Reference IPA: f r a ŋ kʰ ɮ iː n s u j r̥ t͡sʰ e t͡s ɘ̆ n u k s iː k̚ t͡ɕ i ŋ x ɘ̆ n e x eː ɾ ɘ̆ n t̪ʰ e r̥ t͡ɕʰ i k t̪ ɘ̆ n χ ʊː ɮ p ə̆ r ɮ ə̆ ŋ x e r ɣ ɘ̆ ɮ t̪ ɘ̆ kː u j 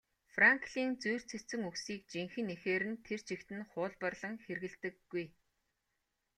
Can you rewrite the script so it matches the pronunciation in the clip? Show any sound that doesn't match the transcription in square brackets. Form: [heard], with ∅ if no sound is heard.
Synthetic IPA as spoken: f r a ŋ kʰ ɮ iː n [t͡s] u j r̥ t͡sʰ e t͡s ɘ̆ [ŋ] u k s iː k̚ t͡ɕ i ŋ x ɘ̆ n e x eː ɾ ɘ̆ n t̪ʰ e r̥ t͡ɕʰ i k t̪ ɘ̆ n χ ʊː ɮ p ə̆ r ɮ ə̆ ŋ x e r ɣ ɘ̆ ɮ t̪ ɘ̆ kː u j